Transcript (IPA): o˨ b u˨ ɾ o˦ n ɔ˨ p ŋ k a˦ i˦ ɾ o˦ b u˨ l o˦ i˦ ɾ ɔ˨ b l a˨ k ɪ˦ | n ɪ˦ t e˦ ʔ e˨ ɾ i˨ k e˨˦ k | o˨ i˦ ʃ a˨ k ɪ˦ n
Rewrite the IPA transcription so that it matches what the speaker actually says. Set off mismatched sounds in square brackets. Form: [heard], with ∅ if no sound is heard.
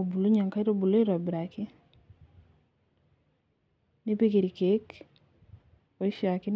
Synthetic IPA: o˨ b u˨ [l] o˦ [ɲ] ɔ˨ [∅] ŋ k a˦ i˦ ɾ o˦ b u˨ l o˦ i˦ ɾ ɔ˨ b [ɾ] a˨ k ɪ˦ | n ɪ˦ [p] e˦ [k] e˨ ɾ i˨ k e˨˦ k | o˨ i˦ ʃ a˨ k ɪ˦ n

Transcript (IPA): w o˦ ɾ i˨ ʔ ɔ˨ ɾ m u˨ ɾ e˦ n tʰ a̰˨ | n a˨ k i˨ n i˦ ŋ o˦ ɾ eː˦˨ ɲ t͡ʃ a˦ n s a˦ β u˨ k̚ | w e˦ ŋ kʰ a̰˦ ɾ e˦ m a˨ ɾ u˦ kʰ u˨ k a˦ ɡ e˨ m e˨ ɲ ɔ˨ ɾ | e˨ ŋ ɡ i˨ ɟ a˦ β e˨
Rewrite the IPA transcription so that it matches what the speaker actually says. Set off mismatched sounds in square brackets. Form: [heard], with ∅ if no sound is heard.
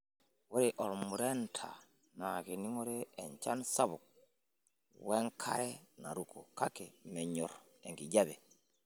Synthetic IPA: w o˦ ɾ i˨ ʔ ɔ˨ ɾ m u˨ ɾ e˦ n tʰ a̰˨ | n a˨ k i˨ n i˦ ŋ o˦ ɾ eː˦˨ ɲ t͡ʃ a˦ n s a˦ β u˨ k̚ | w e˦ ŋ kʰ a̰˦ ɾ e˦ [n] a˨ ɾ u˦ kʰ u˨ k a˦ [k] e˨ m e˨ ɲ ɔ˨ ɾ | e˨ ŋ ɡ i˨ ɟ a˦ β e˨

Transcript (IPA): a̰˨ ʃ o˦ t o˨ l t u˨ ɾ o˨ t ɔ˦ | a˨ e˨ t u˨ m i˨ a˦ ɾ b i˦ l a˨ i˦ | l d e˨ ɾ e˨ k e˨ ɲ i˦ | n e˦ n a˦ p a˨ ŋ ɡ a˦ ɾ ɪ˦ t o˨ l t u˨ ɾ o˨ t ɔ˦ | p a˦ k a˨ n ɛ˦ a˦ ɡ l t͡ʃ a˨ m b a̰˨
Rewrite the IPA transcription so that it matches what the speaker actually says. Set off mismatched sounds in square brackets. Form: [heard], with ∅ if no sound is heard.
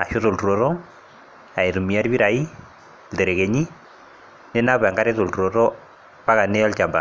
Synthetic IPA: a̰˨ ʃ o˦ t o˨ l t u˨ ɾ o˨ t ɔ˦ | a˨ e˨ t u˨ m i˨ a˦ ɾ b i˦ [ɾ] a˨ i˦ | l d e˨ ɾ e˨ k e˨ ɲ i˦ | n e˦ n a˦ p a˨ ŋ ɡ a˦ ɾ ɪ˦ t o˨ l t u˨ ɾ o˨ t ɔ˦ | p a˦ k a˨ n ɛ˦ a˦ [∅] l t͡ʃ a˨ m b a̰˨

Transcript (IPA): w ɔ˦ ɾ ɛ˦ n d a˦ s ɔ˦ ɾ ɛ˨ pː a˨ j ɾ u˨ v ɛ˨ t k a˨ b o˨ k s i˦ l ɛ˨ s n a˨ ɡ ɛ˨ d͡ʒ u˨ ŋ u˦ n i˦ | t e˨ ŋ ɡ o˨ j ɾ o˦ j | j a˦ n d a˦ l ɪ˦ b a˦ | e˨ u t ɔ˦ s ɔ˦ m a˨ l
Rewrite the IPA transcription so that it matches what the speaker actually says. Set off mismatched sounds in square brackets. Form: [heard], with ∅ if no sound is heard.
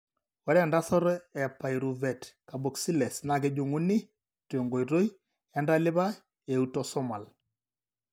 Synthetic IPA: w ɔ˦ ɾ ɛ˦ n d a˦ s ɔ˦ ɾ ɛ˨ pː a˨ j ɾ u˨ v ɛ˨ t k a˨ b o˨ k s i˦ l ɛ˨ s n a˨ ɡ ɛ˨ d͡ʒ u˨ ŋ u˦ n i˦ | t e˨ ŋ ɡ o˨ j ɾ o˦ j | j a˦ n d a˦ l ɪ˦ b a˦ | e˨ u t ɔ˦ s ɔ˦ m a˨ l

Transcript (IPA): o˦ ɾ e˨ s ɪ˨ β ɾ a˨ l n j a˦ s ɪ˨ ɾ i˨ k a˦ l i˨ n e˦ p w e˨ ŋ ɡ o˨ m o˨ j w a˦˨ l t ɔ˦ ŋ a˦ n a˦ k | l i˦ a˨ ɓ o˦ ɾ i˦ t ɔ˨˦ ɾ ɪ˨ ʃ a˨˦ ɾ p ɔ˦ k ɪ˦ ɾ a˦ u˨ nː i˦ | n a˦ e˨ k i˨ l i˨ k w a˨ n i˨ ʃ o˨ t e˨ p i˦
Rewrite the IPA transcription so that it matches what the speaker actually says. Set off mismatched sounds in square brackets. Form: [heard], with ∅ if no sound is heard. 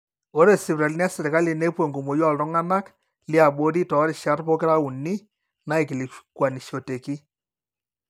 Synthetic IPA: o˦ ɾ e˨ s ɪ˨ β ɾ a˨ l n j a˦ s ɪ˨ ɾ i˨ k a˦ l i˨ n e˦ p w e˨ ŋ ɡ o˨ m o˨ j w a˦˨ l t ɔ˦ ŋ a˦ n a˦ k | l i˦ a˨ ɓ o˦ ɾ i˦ t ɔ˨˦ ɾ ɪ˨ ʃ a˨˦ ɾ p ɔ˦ k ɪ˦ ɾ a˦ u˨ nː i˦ | n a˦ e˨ k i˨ l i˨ k w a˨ n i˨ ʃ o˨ t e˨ [k] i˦

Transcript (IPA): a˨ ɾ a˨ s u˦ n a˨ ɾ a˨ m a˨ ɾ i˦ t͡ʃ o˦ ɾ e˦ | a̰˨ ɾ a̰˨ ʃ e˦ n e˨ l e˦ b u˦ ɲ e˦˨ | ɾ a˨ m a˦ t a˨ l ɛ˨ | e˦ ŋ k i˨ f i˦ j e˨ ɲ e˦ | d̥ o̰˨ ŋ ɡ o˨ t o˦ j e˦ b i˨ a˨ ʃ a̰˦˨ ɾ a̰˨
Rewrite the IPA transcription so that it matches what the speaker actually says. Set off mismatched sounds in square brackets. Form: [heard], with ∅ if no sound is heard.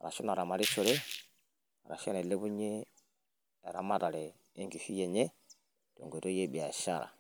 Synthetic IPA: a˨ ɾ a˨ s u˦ n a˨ ɾ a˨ m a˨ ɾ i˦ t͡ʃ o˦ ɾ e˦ | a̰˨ ɾ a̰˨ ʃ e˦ n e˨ l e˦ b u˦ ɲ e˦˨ | ɾ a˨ m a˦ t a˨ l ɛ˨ | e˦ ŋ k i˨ f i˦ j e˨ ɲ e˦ | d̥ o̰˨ ŋ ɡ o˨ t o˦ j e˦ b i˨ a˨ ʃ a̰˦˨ ɾ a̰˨

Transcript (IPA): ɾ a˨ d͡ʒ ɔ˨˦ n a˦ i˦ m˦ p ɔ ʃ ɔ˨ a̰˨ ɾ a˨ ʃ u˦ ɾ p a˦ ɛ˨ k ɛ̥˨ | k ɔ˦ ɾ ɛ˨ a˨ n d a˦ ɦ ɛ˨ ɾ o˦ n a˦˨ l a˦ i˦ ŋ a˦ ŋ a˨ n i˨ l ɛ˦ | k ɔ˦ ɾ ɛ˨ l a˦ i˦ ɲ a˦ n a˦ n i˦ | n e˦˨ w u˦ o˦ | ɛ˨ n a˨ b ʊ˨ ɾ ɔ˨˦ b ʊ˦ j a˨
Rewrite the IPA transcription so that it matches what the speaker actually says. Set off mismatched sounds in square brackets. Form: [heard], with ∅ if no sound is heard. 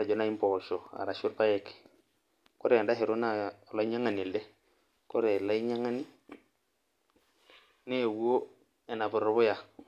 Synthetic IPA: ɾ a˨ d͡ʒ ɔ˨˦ n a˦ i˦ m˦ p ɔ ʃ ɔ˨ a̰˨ ɾ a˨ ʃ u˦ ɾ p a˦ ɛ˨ k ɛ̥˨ | k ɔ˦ ɾ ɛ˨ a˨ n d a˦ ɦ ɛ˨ ɾ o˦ n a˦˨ l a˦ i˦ [ɲ] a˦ ŋ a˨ n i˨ l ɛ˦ | k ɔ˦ ɾ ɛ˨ l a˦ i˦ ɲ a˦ [ŋ] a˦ n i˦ | n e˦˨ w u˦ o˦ | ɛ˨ n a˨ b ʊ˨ ɾ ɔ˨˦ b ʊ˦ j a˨

